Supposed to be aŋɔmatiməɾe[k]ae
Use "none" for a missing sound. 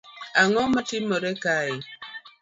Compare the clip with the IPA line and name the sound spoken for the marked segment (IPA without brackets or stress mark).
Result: k